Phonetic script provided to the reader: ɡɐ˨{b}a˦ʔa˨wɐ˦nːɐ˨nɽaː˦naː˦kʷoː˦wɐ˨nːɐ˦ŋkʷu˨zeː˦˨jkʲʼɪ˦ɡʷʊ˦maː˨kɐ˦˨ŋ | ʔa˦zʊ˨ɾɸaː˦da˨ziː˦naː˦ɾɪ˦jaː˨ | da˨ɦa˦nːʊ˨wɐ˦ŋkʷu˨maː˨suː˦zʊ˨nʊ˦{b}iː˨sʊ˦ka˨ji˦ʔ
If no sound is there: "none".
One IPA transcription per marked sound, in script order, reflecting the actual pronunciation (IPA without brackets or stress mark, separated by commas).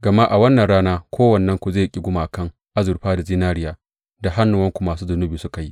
m, b